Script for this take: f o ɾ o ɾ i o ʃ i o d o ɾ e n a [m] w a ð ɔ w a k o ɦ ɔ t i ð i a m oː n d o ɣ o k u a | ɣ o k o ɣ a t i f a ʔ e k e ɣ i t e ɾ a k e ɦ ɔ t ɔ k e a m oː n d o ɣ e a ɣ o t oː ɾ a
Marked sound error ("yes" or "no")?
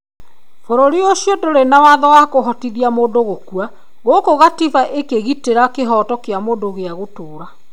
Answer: yes